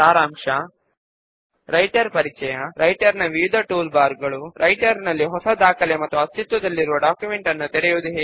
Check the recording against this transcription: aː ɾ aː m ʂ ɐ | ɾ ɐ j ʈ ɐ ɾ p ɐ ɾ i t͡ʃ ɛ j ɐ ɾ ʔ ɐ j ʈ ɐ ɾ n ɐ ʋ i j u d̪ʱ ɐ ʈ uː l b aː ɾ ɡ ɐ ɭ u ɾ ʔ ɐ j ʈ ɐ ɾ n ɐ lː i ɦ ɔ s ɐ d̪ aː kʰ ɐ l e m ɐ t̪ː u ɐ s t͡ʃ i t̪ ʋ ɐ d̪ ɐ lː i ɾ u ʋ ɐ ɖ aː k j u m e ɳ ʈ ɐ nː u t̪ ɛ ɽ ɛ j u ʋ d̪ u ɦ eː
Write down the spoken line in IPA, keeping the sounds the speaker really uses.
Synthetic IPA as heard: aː ɾ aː m ʂ ɐ | ɾ ɐ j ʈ ɐ ɾ p ɐ ɾ i t͡ʃ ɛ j ɐ ɾ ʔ ɐ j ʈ ɐ ɾ n ɐ ʋ i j u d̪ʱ ɐ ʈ uː l b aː ɾ ɡ ɐ ɭ u ɾ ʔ ɐ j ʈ ɐ ɾ n ɐ lː i ɦ ɔ s ɐ d̪ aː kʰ ɐ l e m ɐ t̪ː u ɐ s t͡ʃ i t̪ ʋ ɐ d̪ ɐ lː i ɾ u ʋ ɐ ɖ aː k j u m e ɳ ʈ ɐ nː u t̪ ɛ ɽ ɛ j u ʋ d̪ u ɦ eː